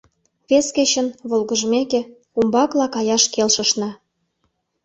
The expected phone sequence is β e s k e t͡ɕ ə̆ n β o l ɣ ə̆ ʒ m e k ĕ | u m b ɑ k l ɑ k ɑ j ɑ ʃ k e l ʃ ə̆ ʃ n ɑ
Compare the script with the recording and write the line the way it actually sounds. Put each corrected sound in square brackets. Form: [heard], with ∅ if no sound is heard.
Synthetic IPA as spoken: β e s k e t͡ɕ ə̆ n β o l ɣ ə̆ ʒ m e k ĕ | u m b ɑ k l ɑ k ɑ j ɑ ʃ k e l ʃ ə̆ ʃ n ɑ